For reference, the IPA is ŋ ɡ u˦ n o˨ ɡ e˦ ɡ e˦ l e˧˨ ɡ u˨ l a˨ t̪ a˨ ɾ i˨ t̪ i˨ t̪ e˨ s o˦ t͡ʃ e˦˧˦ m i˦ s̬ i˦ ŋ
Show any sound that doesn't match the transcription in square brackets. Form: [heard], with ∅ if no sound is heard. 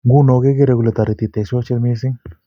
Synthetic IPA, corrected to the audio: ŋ ɡ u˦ n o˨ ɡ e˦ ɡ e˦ [ɾ] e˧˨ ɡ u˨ l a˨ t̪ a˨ ɾ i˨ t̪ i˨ t̪ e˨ s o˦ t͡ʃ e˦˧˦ m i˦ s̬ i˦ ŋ